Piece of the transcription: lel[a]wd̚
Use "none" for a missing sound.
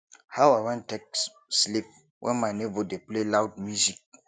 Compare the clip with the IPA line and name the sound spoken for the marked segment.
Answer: a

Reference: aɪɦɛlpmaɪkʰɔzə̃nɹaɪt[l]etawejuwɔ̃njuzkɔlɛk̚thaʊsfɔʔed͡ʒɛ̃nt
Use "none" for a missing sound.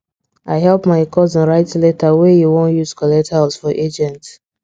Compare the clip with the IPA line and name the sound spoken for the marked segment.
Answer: l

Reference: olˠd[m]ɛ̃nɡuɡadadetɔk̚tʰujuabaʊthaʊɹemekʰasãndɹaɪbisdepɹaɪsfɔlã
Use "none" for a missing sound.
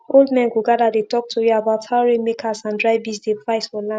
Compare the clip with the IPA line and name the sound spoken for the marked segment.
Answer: m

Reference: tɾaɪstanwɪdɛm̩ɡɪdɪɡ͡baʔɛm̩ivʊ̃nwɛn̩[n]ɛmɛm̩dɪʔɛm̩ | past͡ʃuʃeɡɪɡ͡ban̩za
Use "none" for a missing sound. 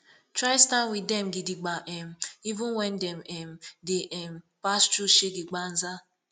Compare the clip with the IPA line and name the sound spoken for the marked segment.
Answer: d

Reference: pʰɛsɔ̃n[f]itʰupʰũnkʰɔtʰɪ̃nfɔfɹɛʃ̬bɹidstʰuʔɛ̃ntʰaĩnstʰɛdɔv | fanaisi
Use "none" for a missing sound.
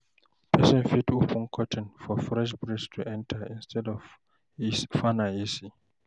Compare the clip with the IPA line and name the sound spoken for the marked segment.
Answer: f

